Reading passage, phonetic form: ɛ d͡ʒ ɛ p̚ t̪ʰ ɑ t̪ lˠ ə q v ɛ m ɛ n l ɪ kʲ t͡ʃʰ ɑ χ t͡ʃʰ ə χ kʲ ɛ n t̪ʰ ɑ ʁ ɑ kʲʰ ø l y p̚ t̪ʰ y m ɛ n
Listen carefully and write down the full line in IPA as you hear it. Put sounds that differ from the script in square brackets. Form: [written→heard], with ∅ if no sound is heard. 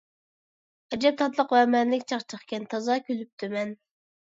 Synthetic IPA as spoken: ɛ d͡ʒ ɛ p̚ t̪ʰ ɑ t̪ lˠ ə q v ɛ m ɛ n l ɪ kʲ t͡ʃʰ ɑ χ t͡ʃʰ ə χ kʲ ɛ n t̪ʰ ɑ [ʁ→z] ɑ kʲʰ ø l y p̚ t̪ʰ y m ɛ n

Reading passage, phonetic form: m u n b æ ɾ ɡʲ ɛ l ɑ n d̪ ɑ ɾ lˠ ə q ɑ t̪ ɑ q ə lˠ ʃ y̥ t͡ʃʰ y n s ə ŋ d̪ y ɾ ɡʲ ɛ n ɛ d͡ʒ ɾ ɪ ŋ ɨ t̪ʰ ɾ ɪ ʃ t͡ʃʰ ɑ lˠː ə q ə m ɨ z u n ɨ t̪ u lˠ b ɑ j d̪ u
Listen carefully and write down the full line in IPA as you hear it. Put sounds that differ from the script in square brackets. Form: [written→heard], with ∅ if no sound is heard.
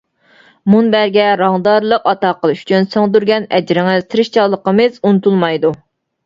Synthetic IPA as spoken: m u n b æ ɾ ɡʲ ɛ [l→ɾ] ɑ [n→ŋ] d̪ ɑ ɾ lˠ ə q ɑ t̪ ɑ q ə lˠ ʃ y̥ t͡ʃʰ y n s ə ŋ d̪ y ɾ ɡʲ ɛ n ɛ d͡ʒ ɾ ɪ ŋ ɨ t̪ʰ ɾ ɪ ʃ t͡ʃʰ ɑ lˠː ə q ə m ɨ z u n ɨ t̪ u lˠ [b→m] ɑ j d̪ u

